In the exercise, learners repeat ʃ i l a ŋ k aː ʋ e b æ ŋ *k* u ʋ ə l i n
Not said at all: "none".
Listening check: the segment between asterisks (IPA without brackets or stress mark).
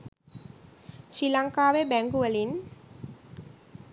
ɡ